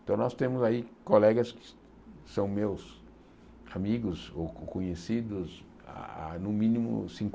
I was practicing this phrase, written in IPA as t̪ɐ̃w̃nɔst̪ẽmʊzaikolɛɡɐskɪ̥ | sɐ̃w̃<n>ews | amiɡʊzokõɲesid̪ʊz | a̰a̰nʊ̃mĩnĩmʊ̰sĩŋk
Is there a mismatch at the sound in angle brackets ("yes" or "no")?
yes